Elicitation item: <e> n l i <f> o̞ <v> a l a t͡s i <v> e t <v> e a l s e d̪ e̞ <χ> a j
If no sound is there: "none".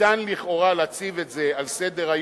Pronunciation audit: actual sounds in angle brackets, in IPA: a, χ, ʁ, v, z, ʁ

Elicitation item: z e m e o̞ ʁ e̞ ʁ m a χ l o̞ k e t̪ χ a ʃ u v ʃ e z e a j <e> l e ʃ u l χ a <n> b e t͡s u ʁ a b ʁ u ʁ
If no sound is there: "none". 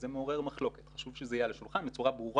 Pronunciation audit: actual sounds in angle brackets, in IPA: a, n

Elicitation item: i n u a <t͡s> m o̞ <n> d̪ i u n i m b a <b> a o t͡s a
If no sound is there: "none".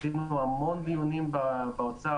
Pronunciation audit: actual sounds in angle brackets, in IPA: none, n, b

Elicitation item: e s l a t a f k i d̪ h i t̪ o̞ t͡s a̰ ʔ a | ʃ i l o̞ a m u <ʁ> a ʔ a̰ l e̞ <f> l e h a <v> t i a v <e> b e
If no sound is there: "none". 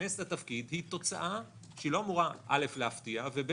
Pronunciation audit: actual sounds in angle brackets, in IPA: ʁ, f, f, e

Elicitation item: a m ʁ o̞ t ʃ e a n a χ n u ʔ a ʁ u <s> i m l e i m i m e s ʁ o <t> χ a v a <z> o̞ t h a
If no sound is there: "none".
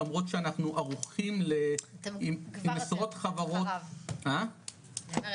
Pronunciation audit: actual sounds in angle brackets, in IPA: χ, t, ʁ

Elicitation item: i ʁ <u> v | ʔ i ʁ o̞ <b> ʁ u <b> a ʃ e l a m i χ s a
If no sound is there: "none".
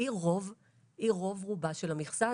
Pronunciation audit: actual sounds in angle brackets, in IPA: o, v, b

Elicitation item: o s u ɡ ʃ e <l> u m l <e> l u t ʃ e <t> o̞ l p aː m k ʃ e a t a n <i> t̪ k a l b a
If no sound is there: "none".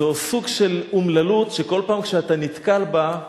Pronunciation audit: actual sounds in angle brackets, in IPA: l, a, k, i

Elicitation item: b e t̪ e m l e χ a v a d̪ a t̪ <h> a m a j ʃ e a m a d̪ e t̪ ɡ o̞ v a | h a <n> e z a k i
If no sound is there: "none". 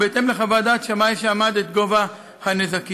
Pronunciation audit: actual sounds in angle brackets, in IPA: ʃ, n

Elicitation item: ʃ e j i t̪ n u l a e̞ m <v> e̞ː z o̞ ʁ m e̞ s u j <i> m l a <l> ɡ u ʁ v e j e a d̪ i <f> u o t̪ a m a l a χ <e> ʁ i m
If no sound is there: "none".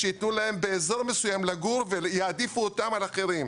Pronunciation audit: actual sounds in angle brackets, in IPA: b, a, none, f, e

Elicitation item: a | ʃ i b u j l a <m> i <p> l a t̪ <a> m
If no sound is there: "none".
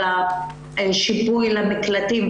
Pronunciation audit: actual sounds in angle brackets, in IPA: m, k, i

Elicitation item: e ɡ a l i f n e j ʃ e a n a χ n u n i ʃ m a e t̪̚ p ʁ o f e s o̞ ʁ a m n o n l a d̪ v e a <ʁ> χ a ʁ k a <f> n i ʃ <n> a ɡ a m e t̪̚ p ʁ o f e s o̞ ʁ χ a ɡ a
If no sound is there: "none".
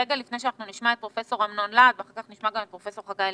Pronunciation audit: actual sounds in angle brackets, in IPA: none, χ, m

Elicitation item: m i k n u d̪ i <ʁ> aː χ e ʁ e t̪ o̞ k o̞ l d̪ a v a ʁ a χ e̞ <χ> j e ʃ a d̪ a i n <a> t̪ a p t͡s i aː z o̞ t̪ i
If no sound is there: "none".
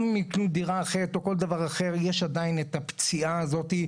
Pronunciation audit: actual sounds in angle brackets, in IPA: ʁ, ʁ, e

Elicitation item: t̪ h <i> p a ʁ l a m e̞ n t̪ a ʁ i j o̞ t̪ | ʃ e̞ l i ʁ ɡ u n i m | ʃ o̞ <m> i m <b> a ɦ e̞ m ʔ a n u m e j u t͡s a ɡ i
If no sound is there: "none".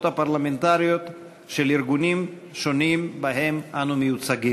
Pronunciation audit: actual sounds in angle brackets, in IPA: a, n, b

